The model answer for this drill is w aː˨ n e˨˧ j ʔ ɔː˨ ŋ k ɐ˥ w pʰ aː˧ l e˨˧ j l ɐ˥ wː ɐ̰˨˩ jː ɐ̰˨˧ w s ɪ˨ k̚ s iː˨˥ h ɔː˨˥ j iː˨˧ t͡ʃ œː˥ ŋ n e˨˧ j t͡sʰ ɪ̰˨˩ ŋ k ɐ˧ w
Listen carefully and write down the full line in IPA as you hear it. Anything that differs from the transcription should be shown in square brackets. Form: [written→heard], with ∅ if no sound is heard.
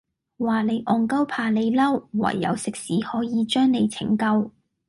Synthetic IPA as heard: w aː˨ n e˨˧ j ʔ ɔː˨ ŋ k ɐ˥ w pʰ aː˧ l e˨˧ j l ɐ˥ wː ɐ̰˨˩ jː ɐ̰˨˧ w s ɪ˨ k̚ s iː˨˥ h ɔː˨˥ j iː˨˧ t͡ʃ œː˥ ŋ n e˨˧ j t͡sʰ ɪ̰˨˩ ŋ k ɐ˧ w